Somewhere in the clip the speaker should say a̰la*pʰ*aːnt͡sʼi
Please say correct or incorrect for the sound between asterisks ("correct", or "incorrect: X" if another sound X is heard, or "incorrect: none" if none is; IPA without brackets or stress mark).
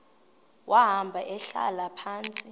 correct